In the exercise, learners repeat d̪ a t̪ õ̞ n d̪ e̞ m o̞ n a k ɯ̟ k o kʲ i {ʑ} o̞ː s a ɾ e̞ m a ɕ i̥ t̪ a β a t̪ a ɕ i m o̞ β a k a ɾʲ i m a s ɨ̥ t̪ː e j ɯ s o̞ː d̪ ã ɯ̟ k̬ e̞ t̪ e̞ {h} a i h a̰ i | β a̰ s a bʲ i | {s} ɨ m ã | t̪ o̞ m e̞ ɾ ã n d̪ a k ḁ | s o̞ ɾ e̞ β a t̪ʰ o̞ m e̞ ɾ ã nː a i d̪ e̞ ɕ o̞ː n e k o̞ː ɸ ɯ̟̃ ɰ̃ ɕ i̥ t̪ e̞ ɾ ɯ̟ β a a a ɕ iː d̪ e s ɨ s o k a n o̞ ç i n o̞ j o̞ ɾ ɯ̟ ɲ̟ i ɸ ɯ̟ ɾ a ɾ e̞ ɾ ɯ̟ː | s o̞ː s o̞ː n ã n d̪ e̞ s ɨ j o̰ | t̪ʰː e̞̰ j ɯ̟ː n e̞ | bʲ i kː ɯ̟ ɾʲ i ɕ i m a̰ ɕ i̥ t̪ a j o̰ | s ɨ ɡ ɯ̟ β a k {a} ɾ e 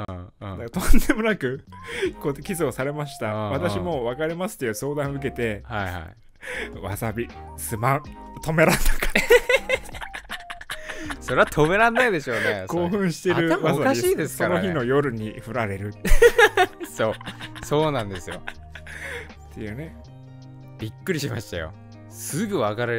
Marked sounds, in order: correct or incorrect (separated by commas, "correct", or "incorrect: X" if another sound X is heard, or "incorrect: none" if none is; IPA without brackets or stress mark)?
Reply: incorrect: z, correct, correct, correct